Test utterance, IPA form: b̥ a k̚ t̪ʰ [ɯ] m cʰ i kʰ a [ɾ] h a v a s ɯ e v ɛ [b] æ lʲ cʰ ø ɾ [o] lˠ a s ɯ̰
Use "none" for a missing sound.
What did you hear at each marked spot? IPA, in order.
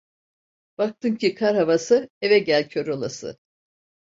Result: ɯ, ɾ, ɟ, o

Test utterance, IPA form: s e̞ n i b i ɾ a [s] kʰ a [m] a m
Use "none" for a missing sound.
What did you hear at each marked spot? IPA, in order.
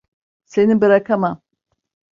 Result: none, m

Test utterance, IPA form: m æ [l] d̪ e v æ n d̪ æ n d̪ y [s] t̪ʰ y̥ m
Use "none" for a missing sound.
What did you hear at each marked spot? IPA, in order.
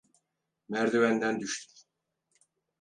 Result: ɾ, ʃ

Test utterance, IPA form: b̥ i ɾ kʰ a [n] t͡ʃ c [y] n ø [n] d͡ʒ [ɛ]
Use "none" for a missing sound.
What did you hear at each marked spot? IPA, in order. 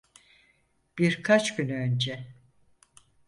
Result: none, y, n, ɛ

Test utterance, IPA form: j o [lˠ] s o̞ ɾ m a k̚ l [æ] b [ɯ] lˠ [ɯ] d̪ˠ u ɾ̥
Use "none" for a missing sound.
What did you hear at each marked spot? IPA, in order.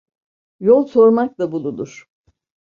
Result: lˠ, a, u, u

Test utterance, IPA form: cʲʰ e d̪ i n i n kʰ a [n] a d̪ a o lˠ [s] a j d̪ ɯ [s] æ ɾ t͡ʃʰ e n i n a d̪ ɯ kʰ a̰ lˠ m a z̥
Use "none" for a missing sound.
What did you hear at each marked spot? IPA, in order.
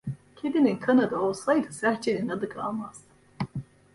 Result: n, s, s

